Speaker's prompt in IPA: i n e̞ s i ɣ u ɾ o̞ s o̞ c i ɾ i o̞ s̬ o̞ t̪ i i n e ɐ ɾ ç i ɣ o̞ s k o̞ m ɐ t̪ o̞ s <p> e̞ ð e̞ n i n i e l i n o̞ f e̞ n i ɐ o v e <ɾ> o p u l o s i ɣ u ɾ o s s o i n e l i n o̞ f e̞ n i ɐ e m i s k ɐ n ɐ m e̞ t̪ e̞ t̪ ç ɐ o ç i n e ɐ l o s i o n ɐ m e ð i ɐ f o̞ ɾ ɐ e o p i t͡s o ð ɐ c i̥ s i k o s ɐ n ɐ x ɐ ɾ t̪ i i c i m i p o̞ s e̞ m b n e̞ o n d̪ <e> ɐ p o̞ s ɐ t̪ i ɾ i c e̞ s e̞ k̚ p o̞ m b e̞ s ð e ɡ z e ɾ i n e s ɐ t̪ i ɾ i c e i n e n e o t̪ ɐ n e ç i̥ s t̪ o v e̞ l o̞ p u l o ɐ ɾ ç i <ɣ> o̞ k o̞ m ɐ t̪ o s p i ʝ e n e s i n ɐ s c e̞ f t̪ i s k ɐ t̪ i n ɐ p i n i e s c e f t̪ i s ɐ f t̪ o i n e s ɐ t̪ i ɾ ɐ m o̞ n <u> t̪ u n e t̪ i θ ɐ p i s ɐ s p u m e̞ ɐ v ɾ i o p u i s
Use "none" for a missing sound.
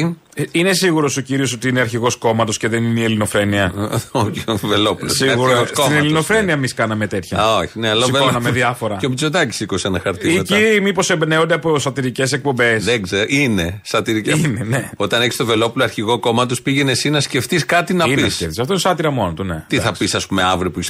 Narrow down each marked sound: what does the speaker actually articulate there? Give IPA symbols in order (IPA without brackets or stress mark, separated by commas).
c, l, e, ɣ, o